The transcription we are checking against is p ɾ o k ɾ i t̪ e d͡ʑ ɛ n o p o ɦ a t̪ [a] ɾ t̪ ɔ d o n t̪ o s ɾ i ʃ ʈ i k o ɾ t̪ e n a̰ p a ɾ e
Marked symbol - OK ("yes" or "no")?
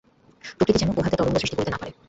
no